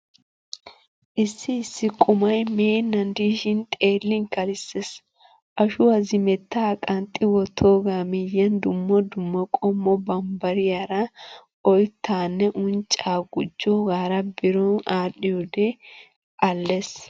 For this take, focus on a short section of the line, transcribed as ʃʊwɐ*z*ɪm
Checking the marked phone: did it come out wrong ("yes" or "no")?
no